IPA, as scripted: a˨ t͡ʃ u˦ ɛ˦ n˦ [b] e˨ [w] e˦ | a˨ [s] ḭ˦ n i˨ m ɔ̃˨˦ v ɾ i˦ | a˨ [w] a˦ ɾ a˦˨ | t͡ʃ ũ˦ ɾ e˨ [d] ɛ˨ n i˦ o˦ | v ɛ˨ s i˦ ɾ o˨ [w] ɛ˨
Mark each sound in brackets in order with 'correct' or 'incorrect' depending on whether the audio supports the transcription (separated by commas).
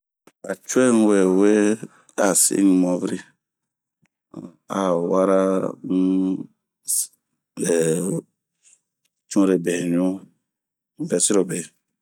incorrect, correct, correct, correct, incorrect, incorrect